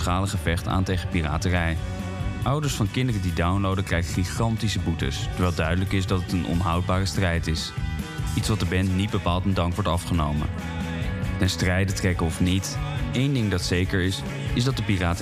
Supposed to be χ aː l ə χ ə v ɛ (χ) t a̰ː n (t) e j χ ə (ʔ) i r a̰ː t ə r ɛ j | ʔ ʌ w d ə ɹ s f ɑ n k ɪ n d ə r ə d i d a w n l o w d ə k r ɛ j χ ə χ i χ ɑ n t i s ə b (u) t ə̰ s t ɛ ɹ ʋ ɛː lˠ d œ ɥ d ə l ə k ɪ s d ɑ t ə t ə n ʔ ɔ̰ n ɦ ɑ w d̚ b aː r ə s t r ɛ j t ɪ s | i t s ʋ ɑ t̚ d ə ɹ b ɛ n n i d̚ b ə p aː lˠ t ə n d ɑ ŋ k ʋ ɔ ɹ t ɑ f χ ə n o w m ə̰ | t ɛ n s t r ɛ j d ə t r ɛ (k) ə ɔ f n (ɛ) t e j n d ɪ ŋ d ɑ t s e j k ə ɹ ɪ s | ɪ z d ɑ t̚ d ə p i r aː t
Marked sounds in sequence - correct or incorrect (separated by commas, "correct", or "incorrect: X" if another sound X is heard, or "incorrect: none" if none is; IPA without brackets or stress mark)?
correct, correct, incorrect: p, correct, correct, incorrect: i